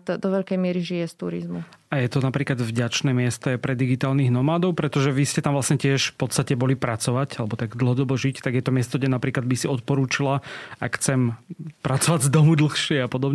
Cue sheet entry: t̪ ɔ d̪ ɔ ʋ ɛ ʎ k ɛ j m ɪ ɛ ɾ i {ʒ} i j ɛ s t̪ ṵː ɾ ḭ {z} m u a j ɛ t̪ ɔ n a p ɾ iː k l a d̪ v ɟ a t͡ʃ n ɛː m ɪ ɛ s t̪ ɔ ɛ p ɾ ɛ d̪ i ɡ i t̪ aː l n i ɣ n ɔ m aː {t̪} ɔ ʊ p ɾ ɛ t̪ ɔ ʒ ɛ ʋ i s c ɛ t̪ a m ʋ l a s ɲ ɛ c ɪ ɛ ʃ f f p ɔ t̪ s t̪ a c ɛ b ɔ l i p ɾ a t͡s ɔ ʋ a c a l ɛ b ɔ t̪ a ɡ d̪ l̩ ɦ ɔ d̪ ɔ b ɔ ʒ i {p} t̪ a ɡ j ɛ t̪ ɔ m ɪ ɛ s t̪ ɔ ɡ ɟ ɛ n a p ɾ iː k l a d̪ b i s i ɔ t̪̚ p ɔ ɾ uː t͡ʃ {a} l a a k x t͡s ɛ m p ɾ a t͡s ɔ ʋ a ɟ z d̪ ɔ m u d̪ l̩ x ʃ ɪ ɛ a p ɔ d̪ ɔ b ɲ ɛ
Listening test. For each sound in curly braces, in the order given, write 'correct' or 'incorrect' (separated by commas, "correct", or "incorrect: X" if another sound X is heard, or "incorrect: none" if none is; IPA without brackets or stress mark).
correct, correct, incorrect: d̪, incorrect: c, incorrect: i